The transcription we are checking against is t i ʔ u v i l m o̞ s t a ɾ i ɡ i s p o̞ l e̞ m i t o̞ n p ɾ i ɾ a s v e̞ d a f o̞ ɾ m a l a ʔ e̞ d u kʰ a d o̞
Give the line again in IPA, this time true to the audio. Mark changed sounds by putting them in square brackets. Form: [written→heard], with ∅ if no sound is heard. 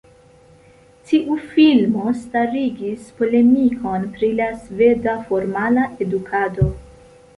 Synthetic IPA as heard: t i ʔ u [v→f] i l m o̞ s t a ɾ i ɡ i s p o̞ l e̞ m i [t→k] o̞ n p ɾ i [ɾ→l] a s v e̞ d a f o̞ ɾ m a l a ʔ e̞ d u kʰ a d o̞